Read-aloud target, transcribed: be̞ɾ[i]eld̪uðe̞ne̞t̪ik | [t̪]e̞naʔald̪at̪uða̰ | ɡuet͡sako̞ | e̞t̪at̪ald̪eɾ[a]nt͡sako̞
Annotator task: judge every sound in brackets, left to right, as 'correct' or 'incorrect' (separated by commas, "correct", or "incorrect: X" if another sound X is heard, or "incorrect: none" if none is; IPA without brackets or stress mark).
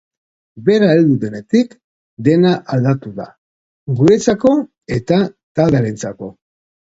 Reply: incorrect: a, incorrect: d̪, incorrect: e